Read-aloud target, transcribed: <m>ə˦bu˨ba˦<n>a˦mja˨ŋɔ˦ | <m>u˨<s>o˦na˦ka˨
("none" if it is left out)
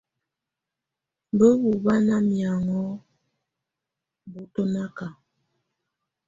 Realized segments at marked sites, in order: b, n, b, t

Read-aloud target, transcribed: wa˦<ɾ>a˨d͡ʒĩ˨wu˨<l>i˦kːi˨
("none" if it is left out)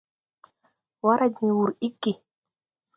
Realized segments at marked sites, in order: ɾ, ɾ

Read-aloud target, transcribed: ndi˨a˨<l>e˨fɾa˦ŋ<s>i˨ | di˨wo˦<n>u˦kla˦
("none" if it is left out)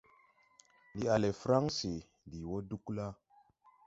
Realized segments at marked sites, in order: l, s, d

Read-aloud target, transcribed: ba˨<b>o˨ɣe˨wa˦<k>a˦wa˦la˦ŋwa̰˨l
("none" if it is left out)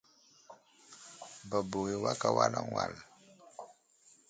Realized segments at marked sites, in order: b, k

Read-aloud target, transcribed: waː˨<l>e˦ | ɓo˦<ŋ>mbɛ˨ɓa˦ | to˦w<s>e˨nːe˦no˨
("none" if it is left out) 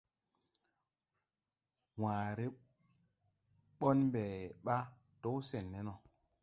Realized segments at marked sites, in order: ɾ, n, s

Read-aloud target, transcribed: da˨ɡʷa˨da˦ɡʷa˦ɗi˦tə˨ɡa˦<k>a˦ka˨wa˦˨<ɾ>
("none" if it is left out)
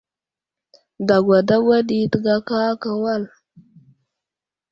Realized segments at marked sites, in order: k, l

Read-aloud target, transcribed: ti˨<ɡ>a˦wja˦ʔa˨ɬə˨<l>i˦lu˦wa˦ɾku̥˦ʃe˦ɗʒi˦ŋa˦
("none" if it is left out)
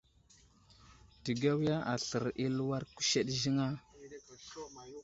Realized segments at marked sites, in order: ɡ, ɾ

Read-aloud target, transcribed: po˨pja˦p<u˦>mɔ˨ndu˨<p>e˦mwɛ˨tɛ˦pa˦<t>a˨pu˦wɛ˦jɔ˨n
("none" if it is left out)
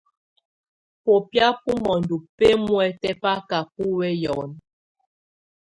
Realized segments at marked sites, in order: u˦, p, k

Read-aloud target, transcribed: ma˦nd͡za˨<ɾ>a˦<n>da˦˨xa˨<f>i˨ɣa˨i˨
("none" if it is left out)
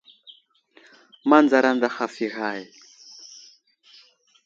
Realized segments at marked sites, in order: ɾ, n, f

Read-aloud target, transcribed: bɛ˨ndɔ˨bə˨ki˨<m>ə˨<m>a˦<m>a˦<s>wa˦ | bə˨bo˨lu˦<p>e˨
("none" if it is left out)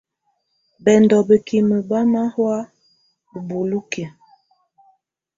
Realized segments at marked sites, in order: m, b, m, h, k

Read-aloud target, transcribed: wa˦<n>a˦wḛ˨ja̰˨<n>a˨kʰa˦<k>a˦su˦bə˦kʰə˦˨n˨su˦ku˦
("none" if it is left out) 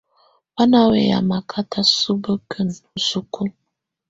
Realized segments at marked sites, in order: n, m, t

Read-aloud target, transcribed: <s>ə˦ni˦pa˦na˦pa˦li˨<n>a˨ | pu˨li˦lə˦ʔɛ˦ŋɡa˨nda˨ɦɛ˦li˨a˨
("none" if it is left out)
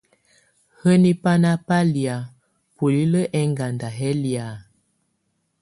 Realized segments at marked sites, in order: h, none

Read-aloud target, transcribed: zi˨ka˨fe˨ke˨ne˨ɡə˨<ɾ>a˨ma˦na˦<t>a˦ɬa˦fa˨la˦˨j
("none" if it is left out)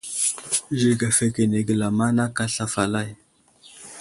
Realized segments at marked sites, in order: l, k

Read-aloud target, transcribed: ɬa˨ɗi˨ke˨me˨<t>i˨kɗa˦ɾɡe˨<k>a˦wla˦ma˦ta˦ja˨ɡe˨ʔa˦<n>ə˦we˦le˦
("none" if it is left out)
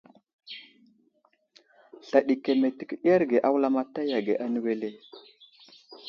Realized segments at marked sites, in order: t, ʔ, n

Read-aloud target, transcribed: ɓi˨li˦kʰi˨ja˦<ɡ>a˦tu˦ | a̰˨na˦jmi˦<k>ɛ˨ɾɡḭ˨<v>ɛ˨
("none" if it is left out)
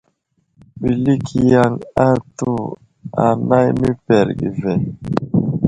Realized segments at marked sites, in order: ŋ, p, v

